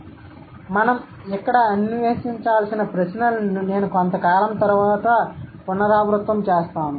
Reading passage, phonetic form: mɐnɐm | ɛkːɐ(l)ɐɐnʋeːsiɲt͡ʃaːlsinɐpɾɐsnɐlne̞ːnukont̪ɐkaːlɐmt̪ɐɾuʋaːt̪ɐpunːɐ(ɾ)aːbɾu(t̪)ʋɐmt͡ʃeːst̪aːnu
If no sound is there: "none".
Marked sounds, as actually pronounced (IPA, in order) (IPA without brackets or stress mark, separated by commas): ɽ, ɾ, t̪